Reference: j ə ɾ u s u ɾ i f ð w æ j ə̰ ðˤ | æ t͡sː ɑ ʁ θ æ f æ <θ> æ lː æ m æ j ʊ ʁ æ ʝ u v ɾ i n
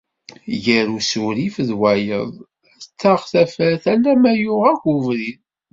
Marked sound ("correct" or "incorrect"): correct